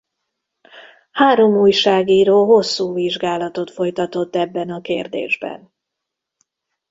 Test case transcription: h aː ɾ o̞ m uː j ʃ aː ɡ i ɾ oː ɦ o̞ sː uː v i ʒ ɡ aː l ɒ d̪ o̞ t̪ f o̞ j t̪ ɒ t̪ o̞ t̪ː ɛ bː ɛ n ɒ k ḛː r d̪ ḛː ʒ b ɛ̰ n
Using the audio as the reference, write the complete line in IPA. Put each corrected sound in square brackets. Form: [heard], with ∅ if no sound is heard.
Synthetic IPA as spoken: h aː ɾ o̞ m uː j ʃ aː ɡ [iː] ɾ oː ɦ o̞ sː uː v i ʒ ɡ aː l ɒ [t̪] o̞ t̪ f o̞ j t̪ ɒ t̪ o̞ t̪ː ɛ bː ɛ n ɒ k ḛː r d̪ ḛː ʒ b ɛ̰ n